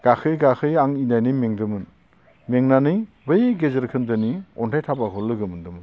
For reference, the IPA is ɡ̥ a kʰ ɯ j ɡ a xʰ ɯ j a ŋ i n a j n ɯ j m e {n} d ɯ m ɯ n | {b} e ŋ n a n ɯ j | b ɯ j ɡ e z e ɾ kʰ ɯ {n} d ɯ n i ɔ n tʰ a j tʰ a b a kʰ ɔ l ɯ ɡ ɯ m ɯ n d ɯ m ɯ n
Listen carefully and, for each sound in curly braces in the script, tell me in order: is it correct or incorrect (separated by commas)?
incorrect, incorrect, correct